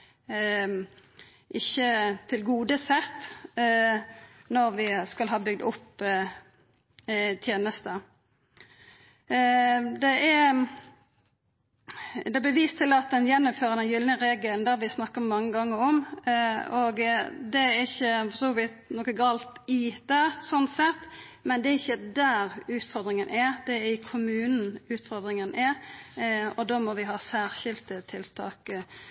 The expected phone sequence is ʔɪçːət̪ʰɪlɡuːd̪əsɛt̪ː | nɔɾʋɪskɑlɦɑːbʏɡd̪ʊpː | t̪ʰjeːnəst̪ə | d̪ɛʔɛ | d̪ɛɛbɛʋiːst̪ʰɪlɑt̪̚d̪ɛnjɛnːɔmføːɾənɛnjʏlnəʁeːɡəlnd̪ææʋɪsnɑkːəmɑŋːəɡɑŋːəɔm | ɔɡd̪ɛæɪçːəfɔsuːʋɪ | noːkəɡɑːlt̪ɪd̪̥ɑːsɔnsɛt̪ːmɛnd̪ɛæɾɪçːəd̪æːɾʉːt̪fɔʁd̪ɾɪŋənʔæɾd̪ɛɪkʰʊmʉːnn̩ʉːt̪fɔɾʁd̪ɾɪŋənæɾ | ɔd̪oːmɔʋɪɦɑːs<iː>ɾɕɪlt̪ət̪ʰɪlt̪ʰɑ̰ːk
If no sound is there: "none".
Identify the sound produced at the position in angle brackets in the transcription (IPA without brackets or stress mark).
æː